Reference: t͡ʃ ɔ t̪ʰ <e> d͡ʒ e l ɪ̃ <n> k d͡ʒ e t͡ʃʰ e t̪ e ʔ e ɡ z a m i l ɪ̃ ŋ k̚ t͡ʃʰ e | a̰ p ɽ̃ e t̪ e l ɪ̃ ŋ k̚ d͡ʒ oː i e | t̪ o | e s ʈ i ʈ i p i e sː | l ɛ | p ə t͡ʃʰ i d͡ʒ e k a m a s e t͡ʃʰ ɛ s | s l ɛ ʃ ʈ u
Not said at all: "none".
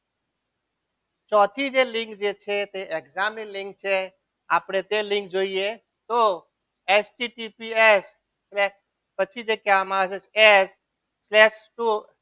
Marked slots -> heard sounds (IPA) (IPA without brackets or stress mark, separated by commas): i, ŋ